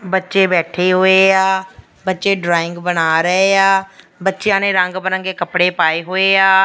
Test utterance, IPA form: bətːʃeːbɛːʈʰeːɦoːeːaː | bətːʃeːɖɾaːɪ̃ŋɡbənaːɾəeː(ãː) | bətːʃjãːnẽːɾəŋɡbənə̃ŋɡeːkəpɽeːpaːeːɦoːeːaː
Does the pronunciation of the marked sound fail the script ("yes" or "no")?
yes